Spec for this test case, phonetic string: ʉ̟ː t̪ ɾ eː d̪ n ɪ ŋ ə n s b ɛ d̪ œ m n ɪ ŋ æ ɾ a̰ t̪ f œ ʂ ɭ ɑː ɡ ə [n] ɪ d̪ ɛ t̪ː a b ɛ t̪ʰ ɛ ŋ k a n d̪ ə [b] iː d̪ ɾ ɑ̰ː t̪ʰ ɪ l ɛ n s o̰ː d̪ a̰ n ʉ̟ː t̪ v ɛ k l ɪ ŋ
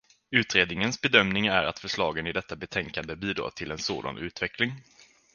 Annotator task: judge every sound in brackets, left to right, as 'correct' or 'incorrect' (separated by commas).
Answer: correct, correct